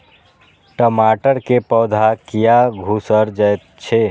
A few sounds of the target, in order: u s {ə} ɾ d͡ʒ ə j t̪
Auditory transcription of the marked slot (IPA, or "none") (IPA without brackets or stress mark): ə